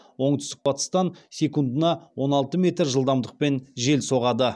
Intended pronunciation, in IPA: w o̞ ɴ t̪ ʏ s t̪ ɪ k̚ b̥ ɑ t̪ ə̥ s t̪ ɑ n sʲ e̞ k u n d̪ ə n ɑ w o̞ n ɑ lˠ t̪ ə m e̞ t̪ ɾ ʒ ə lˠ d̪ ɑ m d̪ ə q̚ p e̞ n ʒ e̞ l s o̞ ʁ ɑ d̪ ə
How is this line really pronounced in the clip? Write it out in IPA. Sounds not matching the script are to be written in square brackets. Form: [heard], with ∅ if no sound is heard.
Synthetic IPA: w o̞ ɴ t̪ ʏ s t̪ ɪ k̚ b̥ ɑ t̪ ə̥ s t̪ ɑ n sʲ e̞ k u n d̪ ə n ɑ w o̞ n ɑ lˠ t̪ ə m e̞ t̪ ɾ ʒ ə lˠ d̪ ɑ m d̪ ə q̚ p e̞ n ʒ e̞ l s o̞ ʁ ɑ d̪ ə